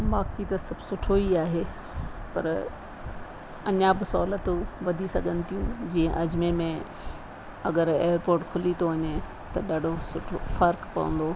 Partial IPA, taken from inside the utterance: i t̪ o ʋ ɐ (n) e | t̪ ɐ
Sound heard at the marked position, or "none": ɲ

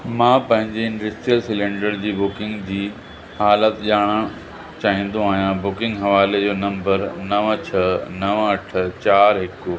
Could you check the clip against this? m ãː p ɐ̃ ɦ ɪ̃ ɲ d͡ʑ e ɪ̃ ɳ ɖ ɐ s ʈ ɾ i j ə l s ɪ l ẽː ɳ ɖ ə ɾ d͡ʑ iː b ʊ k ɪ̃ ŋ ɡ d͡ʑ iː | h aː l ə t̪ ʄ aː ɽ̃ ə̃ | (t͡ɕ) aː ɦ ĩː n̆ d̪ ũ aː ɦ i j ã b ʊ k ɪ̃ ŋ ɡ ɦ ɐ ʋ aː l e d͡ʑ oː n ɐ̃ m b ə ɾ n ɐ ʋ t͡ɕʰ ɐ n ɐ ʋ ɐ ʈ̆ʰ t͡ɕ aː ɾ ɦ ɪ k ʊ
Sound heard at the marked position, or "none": t͡ɕ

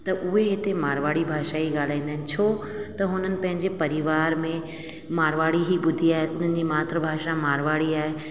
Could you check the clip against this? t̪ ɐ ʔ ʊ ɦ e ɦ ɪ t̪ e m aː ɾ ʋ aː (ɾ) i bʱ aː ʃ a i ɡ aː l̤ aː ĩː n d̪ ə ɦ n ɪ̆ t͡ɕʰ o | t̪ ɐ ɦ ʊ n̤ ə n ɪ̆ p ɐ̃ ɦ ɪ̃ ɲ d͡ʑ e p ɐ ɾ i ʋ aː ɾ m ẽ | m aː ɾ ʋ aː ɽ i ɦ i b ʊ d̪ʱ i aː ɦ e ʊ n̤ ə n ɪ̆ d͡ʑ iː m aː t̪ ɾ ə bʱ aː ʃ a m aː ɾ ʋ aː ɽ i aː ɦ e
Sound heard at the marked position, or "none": ɽ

